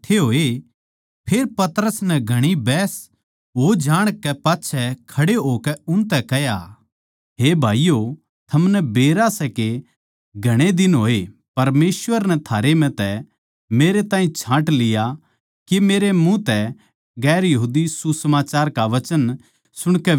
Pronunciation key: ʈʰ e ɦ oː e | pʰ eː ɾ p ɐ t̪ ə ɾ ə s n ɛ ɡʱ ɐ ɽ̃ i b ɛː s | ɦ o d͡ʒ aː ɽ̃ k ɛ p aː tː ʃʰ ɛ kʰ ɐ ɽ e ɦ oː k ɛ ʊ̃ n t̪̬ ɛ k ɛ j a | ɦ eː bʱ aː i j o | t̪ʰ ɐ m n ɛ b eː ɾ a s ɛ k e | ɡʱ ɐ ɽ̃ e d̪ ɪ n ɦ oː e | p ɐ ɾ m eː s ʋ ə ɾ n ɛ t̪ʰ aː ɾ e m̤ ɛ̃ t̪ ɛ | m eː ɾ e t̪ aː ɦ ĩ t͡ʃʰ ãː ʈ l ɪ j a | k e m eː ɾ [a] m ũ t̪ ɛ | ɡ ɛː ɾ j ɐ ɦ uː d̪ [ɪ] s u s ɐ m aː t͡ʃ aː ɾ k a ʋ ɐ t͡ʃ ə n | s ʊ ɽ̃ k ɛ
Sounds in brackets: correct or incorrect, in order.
incorrect: e, incorrect: i

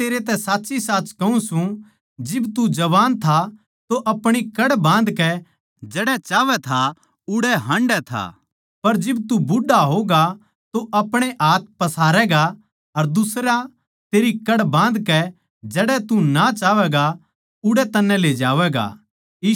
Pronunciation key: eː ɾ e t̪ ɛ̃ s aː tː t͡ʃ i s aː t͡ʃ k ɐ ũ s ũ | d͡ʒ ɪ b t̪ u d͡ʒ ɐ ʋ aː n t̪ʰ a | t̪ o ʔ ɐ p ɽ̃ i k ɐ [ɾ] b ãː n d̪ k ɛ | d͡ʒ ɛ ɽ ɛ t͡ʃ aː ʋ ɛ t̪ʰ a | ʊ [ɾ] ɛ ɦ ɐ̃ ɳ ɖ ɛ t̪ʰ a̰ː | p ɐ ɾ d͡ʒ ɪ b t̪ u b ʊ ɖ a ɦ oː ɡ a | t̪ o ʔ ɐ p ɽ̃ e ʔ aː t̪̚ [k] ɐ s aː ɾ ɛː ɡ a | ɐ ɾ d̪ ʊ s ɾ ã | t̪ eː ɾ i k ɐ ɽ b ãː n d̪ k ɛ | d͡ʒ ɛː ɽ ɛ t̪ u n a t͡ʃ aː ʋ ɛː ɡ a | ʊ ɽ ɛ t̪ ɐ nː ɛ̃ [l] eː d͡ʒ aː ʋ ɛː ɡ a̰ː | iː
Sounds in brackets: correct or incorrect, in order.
incorrect: ɽ, incorrect: ɽ, incorrect: p, correct

